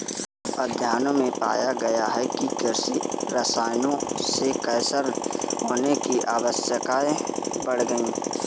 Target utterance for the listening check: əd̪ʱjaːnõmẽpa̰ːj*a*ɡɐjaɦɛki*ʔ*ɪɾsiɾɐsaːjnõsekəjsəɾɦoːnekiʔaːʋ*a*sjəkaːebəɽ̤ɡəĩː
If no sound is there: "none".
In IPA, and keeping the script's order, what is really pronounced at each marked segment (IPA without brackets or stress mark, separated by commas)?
a, k, ə